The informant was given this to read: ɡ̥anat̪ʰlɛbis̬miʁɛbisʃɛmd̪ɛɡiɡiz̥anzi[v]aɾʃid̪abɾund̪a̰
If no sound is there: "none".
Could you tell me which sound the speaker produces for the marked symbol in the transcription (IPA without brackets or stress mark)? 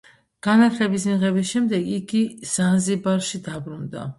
b